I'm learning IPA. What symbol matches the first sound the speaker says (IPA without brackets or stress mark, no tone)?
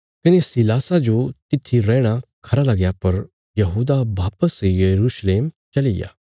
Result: k